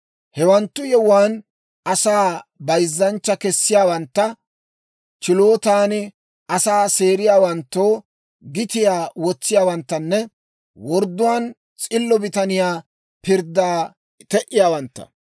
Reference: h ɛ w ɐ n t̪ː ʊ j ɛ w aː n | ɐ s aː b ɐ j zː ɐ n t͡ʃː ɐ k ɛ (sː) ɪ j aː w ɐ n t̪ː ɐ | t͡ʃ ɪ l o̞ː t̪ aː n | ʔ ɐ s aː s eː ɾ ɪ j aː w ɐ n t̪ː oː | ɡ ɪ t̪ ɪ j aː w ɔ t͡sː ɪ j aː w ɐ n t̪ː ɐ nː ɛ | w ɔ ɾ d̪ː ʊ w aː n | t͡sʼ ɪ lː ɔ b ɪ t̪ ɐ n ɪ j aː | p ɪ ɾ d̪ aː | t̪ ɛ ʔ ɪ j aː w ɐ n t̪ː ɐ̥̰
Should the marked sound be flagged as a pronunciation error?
no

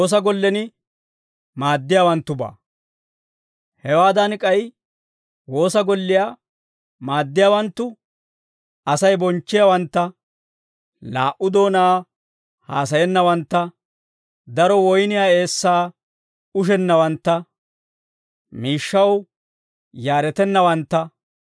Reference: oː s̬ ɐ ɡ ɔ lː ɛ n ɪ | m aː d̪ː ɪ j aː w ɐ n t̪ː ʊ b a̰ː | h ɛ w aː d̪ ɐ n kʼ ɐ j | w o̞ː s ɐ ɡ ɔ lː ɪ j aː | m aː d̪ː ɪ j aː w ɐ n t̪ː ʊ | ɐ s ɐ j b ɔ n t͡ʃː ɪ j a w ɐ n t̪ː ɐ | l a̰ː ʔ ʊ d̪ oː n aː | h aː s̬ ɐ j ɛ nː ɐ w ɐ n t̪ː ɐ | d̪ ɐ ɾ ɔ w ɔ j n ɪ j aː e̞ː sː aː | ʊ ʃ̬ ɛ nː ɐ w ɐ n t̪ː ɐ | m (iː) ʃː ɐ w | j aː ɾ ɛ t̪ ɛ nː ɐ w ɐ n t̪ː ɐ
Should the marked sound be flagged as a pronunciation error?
no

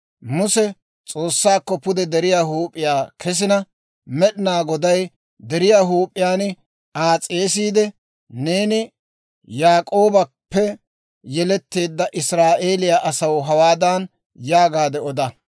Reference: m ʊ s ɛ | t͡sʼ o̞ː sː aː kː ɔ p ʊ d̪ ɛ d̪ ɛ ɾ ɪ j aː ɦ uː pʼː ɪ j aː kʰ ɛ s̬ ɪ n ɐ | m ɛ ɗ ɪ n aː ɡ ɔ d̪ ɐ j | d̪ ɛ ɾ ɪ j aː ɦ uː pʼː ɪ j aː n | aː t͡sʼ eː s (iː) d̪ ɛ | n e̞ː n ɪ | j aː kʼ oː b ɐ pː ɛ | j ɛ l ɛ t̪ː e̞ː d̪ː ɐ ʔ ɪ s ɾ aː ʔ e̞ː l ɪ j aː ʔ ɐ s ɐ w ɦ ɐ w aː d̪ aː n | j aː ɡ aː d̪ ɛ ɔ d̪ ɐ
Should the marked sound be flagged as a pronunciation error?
no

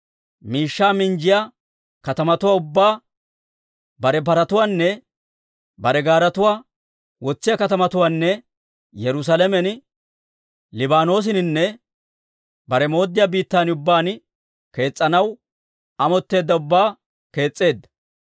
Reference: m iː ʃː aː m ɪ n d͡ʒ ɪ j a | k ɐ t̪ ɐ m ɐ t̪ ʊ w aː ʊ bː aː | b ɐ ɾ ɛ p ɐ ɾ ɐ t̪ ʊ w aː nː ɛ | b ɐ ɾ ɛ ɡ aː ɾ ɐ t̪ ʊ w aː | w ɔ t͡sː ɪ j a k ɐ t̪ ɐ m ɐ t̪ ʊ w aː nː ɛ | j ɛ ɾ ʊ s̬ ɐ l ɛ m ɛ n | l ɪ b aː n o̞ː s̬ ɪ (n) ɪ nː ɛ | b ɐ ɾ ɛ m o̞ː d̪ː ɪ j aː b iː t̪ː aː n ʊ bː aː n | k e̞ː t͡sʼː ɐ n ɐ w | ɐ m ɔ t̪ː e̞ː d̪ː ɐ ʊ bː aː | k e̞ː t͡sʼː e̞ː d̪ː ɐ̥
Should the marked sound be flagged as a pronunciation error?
no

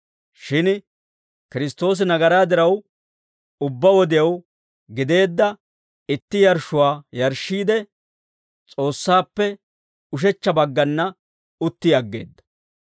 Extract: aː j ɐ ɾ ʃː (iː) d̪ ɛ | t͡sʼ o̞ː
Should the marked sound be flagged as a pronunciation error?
no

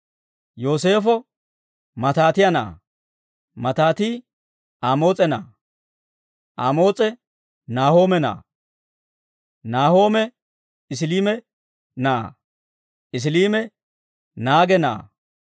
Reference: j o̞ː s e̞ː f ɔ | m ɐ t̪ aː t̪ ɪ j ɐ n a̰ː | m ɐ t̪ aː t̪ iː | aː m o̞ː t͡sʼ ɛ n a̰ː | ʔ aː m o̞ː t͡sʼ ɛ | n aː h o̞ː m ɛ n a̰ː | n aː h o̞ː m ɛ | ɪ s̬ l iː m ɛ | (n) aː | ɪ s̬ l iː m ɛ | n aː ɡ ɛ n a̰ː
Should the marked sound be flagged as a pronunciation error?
no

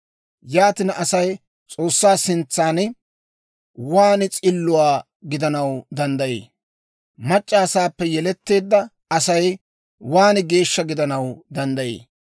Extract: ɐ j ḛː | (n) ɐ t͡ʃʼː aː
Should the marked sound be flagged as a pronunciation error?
yes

